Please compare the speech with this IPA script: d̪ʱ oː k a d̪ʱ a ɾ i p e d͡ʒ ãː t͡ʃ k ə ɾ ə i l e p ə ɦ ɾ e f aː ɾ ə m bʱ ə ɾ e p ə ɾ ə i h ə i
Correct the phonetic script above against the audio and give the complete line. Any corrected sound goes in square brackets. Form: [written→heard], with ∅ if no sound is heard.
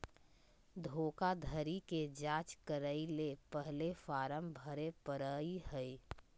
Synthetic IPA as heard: d̪ʱ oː k a d̪ʱ [a→ə] ɾ i [p→k] e d͡ʒ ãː t͡ʃ k ə ɾ ə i l e p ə ɦ [ɾ→l] e f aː ɾ ə m bʱ ə ɾ e p ə ɾ ə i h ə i